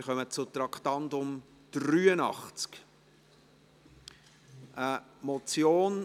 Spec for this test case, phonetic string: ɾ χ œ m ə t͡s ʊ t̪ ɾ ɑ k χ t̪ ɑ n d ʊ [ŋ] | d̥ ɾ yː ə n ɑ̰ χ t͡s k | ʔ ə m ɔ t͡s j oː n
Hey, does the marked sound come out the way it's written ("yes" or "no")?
no